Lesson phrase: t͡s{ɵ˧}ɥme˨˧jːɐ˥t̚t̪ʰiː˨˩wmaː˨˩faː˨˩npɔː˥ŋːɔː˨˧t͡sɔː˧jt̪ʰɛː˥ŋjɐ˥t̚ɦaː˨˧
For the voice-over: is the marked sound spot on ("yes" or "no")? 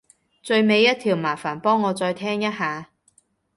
yes